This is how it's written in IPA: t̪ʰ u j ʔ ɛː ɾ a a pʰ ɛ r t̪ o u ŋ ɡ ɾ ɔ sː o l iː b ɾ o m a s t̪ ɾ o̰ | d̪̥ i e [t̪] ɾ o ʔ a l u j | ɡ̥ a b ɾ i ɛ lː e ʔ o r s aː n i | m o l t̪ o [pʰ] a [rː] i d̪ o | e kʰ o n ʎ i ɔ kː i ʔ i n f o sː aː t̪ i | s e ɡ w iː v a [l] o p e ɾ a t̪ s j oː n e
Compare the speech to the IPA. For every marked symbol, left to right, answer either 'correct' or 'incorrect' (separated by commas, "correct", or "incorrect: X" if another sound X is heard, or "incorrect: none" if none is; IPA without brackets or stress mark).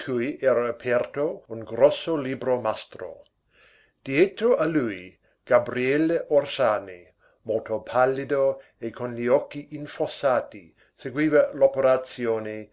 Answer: correct, correct, incorrect: lː, correct